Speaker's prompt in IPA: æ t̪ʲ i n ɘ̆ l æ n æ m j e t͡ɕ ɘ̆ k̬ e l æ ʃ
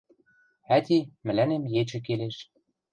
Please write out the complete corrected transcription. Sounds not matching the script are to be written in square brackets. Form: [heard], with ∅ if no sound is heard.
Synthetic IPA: æ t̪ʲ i [m] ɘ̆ l æ n [e] m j e t͡ɕ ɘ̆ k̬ e l [e] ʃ